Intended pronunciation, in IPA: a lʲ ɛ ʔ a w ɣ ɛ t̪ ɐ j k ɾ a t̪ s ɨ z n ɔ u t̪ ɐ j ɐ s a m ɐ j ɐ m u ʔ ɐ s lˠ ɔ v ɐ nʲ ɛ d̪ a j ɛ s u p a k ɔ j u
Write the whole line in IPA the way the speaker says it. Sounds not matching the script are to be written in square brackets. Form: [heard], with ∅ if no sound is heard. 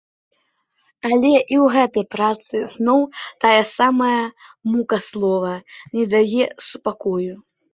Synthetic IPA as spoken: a lʲ ɛ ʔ [i] w ɣ ɛ t̪ ɐ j [p] ɾ a t̪ s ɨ z n ɔ [w] t̪ [a] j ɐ s a m ɐ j ɐ m u [k] ɐ s lˠ ɔ v ɐ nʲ ɛ d̪ a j ɛ s u p a k ɔ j u

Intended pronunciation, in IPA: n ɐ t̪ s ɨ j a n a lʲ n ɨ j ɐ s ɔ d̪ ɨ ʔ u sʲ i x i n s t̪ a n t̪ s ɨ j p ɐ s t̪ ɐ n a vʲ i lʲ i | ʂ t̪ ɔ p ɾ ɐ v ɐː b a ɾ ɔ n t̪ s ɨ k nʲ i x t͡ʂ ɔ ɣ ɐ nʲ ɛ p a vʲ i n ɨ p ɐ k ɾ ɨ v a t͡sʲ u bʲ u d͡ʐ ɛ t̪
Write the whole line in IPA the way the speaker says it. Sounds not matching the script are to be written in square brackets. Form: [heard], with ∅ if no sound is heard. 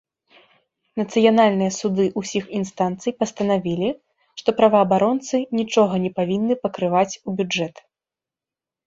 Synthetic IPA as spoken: n ɐ t̪ s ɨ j a n a lʲ n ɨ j ɐ s [u] d̪ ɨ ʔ u sʲ i x i n s t̪ a n t̪ s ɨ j p ɐ s t̪ ɐ n a vʲ i lʲ i | ʂ t̪ ɔ p ɾ ɐ v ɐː b a ɾ ɔ n t̪ s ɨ [∅] nʲ i [∅] t͡ʂ ɔ ɣ ɐ nʲ ɛ p a vʲ i [nː] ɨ p ɐ k ɾ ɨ v a t͡sʲ u bʲ u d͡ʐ ɛ t̪

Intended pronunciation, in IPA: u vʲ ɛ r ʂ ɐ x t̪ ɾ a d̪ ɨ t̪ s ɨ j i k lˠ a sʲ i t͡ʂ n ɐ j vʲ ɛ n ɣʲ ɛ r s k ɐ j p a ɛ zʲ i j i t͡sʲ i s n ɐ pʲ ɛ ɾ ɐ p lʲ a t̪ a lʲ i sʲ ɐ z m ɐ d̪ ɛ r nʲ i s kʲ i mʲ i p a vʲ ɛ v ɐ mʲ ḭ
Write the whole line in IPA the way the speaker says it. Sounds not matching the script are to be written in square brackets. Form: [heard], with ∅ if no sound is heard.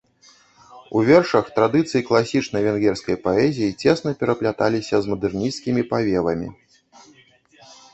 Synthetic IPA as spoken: u vʲ ɛ r ʂ ɐ x t̪ ɾ a d̪ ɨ t̪ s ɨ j i k lˠ a sʲ i t͡ʂ n ɐ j vʲ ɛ n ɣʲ ɛ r s k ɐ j p a ɛ zʲ i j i t͡sʲ [ɛ] s n ɐ pʲ ɛ ɾ ɐ p lʲ a t̪ a lʲ i sʲ ɐ z m ɐ d̪ ɛ r nʲ i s kʲ i mʲ i p a vʲ ɛ v ɐ mʲ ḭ

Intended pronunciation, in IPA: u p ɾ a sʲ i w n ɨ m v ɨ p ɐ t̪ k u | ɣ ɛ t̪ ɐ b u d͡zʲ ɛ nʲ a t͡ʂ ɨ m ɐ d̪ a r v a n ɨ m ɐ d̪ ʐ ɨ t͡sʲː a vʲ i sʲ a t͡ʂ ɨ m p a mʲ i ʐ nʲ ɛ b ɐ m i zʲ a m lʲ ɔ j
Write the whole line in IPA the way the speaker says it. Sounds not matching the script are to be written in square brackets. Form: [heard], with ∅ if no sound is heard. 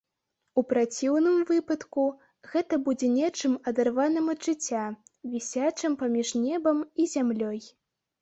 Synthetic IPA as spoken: u p ɾ a [t͡sʲ] i w n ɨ m v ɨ p ɐ t̪ k u | ɣ ɛ t̪ ɐ b u d͡zʲ ɛ nʲ [ɛ] t͡ʂ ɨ m ɐ d̪ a r v a n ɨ m ɐ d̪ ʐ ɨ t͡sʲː a vʲ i sʲ a t͡ʂ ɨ m p a mʲ i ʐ nʲ ɛ b ɐ m i zʲ a m lʲ ɔ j

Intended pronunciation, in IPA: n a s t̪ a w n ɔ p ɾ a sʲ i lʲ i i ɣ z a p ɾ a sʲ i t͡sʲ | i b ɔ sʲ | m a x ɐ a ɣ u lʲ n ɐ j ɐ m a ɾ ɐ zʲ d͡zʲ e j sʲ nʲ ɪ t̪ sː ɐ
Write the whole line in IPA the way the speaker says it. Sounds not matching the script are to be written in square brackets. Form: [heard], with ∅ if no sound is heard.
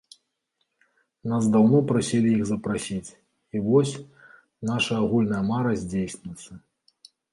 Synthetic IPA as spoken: n a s [d̪] a w n ɔ p ɾ a sʲ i lʲ i i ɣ z [ɐ] p ɾ a sʲ i t͡sʲ | i [v] ɔ sʲ | [n] a [ʂ] ɐ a ɣ u lʲ n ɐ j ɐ m a ɾ ɐ zʲ d͡zʲ e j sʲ nʲ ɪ t̪ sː ɐ

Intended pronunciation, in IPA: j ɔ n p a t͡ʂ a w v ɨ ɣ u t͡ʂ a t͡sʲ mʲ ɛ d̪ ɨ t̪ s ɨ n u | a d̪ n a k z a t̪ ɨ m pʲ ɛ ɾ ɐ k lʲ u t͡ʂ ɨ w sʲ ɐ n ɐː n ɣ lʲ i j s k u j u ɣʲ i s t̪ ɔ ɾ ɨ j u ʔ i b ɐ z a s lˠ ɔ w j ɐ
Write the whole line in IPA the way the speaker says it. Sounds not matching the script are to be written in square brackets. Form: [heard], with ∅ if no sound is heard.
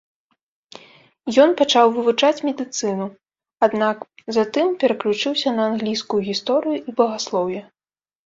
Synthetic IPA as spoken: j ɔ n p a t͡ʂ a w v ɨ [v] u t͡ʂ a t͡sʲ mʲ ɛ d̪ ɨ t̪ s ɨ n u | a d̪ n a k z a t̪ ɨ m pʲ ɛ ɾ ɐ k lʲ u t͡ʂ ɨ w sʲ ɐ n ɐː n ɣ lʲ i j s k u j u ɣʲ i s t̪ ɔ ɾ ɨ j u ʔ i b ɐ [ɣ] a s lˠ ɔ w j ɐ

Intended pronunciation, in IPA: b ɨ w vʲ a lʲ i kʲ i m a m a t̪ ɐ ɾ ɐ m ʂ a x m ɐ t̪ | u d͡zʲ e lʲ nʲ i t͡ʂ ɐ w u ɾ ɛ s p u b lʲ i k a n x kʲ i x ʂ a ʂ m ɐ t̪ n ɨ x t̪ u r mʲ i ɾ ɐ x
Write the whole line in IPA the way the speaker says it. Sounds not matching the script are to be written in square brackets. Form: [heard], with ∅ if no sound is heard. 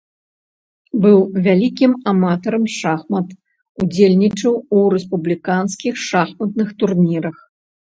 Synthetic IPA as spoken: b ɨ w vʲ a lʲ i kʲ i m a m a t̪ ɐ ɾ ɐ m ʂ a x m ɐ t̪ | u d͡zʲ e lʲ nʲ i t͡ʂ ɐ w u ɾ ɛ s p u b lʲ i k a n [s] kʲ i x ʂ a [x] m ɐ t̪ n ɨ x t̪ u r [nʲ] i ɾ ɐ x

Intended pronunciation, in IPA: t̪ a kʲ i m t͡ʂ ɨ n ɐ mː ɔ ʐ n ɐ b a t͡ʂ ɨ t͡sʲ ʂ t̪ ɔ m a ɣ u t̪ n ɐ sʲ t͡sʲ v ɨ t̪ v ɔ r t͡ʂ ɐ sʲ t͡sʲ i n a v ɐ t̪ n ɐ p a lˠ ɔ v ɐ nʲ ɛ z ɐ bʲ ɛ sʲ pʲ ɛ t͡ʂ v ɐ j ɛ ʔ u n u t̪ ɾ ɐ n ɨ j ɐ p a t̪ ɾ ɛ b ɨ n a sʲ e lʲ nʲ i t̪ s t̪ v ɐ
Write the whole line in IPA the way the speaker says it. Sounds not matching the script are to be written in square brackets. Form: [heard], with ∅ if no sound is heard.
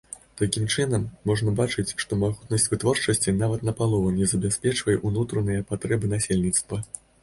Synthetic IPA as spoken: t̪ a kʲ i m t͡ʂ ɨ n ɐ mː ɔ ʐ n ɐ b a t͡ʂ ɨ t͡sʲ ʂ t̪ ɔ m a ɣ u t̪ n ɐ sʲ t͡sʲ v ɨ t̪ v ɔ r t͡ʂ ɐ sʲ t͡sʲ i n a v ɐ t̪ n ɐ p a lˠ ɔ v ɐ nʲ ɛ z ɐ bʲ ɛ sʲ pʲ ɛ t͡ʂ v ɐ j ɛ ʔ u n u t̪ ɾ ɐ n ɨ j ɐ p a t̪ ɾ ɛ b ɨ n a sʲ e lʲ nʲ i t̪ s t̪ v ɐ

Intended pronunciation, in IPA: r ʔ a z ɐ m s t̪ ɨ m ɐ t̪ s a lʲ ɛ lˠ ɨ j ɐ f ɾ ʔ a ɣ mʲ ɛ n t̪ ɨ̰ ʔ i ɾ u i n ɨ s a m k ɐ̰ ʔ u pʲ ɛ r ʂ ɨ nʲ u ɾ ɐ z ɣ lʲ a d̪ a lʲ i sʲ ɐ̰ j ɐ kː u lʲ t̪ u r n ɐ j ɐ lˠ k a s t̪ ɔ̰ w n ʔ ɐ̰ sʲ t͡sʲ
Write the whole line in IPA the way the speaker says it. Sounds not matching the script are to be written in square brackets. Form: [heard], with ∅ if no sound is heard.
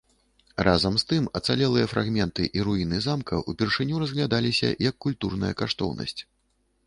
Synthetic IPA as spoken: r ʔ a z ɐ m s t̪ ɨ m ɐ t̪ s a lʲ ɛ lˠ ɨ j ɐ f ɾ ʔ a ɣ mʲ ɛ n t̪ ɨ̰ ʔ i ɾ u i n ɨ [z] a m k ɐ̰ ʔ u pʲ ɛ r ʂ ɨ nʲ u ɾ ɐ z ɣ lʲ a d̪ a lʲ i sʲ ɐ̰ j ɐ kː u lʲ t̪ u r n ɐ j ɐ [∅] k a [ʂ] t̪ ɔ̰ w n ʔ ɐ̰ sʲ t͡sʲ

